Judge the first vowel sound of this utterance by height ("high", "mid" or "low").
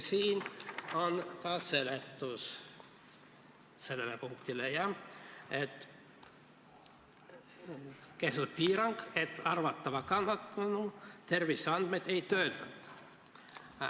high